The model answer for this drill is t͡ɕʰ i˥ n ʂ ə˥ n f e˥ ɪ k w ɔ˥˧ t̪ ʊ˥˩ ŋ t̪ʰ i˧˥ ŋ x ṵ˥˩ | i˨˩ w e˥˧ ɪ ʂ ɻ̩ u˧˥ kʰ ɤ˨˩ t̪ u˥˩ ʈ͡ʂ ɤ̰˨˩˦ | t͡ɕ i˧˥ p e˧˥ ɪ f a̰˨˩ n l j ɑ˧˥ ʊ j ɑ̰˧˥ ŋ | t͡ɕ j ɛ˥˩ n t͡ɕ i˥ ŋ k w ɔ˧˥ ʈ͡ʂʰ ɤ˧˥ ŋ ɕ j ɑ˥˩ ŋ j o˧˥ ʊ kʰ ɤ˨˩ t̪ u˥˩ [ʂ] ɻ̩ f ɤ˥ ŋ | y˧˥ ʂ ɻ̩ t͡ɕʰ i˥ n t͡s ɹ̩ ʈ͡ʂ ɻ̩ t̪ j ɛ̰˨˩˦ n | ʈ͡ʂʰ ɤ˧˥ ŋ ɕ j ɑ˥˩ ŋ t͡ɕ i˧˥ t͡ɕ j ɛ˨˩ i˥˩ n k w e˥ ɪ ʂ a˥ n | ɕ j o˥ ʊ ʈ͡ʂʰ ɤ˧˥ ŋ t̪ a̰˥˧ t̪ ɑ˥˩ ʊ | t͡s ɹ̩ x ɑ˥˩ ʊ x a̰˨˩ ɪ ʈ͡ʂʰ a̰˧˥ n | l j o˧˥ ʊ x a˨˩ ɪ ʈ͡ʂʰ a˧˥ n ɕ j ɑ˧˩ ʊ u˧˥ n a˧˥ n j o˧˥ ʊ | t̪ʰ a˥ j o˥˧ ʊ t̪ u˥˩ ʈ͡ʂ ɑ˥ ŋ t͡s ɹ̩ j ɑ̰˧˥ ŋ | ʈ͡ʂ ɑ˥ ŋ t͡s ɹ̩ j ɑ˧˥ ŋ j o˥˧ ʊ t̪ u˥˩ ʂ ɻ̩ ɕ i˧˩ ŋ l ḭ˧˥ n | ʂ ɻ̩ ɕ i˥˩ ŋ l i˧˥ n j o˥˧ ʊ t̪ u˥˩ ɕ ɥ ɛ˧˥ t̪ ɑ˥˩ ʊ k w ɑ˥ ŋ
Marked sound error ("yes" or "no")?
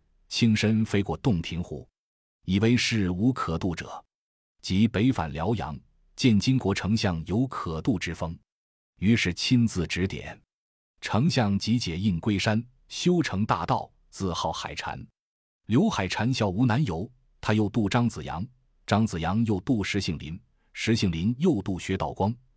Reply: yes